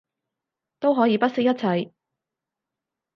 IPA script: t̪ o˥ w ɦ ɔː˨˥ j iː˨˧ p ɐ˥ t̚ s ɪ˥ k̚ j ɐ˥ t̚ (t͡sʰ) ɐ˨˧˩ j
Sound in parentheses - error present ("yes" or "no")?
no